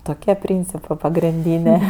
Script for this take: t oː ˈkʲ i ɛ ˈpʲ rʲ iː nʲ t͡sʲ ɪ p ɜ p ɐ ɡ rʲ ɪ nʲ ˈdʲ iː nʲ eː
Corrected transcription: t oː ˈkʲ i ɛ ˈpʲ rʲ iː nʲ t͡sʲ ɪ p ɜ p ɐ ɡ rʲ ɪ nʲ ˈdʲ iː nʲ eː